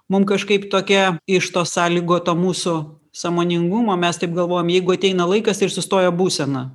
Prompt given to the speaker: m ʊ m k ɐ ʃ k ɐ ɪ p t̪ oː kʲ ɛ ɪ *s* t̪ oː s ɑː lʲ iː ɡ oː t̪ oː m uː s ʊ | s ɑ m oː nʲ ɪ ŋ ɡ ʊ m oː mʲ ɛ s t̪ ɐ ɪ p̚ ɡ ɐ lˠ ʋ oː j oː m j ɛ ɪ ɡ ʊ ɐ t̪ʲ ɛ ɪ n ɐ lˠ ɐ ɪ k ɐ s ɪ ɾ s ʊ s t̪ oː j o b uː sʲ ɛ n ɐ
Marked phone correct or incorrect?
incorrect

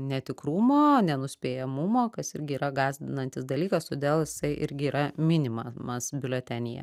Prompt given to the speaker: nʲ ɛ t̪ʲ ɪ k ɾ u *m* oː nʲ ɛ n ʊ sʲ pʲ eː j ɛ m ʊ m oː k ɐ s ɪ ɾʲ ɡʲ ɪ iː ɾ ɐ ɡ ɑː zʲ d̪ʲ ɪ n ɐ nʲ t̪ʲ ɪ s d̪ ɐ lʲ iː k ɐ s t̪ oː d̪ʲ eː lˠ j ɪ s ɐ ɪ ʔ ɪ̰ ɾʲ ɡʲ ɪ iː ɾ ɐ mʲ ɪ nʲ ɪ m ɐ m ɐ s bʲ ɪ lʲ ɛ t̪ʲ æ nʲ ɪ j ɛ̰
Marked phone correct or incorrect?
correct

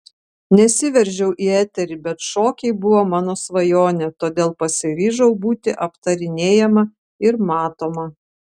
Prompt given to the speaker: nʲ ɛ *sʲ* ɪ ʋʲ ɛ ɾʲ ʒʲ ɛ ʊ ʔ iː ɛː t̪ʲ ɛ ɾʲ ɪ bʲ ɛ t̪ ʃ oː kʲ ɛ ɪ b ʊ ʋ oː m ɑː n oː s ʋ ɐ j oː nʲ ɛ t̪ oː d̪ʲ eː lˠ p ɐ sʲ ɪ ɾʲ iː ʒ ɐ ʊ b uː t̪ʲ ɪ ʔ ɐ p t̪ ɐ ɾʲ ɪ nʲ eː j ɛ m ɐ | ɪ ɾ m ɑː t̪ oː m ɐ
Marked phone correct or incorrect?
correct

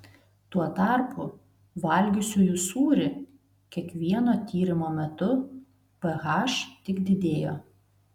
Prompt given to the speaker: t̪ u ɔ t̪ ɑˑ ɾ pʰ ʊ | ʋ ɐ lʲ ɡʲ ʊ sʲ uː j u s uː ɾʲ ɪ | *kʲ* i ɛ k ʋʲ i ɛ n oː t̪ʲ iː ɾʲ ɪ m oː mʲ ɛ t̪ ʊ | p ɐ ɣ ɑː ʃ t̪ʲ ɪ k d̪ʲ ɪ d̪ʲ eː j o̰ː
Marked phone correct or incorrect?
correct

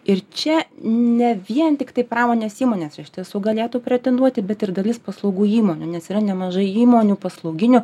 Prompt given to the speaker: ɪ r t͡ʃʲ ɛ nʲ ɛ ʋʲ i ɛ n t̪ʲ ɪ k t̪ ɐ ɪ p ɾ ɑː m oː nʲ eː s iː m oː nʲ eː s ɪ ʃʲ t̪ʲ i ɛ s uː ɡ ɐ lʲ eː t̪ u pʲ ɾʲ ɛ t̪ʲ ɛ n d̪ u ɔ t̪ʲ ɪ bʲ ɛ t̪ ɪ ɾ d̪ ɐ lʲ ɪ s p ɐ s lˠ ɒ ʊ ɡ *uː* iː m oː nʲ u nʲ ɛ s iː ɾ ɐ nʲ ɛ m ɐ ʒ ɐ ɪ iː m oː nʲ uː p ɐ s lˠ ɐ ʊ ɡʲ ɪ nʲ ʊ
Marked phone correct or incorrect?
correct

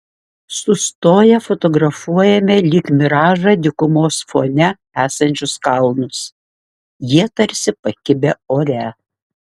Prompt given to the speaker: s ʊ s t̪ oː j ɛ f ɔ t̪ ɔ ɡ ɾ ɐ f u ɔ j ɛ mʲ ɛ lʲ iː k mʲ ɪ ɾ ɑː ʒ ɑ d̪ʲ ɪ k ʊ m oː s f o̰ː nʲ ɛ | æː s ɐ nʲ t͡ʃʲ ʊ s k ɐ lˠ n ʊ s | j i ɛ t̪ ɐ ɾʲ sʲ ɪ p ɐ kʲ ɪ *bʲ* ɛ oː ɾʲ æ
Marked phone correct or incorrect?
correct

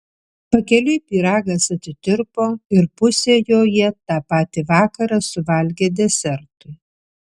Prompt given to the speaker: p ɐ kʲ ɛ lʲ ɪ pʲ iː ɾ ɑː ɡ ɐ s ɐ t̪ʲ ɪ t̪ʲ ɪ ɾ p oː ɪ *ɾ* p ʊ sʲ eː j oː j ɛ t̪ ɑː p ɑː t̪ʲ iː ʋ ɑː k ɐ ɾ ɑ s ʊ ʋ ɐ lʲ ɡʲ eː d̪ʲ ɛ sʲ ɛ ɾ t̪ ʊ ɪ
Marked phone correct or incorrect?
correct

